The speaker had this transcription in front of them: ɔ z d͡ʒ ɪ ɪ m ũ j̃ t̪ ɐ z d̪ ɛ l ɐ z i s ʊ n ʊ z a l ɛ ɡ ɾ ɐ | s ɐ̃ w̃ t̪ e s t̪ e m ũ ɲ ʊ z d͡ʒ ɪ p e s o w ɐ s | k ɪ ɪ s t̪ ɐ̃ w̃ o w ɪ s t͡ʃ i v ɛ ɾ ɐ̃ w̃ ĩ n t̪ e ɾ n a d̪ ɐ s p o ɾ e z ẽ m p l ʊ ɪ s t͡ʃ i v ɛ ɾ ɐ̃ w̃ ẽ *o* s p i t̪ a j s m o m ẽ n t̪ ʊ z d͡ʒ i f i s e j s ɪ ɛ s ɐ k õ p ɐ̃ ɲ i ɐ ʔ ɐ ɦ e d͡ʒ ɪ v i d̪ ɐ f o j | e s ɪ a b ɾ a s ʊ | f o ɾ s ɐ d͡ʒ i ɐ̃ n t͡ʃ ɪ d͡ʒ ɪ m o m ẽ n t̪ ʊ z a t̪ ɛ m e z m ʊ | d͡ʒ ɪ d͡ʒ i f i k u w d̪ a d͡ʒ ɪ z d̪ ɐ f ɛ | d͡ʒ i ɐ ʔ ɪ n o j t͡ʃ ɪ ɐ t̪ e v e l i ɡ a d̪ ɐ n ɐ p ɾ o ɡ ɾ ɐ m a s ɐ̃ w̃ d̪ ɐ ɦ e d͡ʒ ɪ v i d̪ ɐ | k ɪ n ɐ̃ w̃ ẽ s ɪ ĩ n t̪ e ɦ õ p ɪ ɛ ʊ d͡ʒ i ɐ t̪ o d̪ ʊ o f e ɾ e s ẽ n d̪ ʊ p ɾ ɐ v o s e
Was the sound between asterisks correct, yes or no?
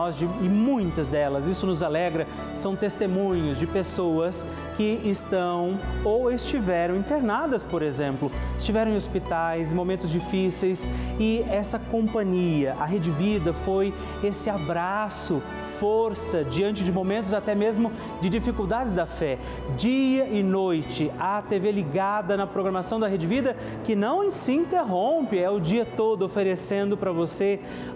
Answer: yes